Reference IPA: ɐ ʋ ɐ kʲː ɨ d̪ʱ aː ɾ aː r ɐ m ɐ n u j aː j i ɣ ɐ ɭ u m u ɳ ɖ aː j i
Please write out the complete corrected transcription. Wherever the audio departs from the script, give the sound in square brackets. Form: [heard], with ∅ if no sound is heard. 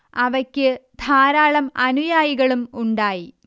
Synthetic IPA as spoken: ɐ ʋ ɐ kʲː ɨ d̪ʱ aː ɾ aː [ɭ] ɐ m ɐ n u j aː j i ɣ ɐ ɭ u m u ɳ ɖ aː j i